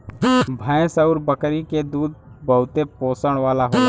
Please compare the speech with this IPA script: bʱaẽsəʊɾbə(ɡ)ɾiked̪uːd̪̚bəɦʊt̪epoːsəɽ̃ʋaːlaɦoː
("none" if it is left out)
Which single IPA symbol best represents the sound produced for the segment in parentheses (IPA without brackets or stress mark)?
k